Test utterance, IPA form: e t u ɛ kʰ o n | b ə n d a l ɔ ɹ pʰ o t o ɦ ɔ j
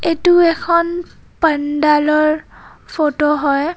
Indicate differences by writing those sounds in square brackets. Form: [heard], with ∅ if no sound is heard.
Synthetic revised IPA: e t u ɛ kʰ [ɔ] n | [p] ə n d a l ɔ ɹ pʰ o t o ɦ ɔ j